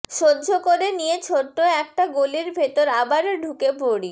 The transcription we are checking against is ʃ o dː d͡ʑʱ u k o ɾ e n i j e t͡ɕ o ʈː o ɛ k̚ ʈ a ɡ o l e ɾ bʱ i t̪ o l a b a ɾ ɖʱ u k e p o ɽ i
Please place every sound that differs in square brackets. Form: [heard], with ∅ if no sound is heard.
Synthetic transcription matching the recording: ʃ o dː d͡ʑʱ [o] k o ɾ e n i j e [t͡ɕʰ] o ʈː o ɛ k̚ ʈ a ɡ o l [i] ɾ bʱ [e] t̪ o [ɾ] a b a ɾ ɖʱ u k e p o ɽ i